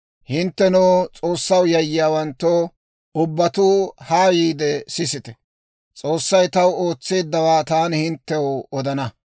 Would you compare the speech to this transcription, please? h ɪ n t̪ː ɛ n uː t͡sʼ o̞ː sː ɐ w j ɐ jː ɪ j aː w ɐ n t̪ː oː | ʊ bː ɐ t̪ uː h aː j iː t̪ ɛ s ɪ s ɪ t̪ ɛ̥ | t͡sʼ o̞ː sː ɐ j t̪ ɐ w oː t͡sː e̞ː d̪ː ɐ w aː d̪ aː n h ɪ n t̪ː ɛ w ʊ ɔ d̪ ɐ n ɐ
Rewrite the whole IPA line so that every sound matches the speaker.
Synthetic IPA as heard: h ɪ n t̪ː ɛ n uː t͡sʼ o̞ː sː ɐ w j ɐ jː ɪ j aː w ɐ n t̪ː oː | ʊ bː ɐ t̪ uː h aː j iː d̪ ɛ s ɪ s ɪ t̪ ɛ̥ | t͡sʼ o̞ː sː ɐ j t̪ ɐ w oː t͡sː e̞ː d̪ː ɐ w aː t̪ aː n h ɪ n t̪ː ɛ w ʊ ɔ d̪ ɐ n ɐ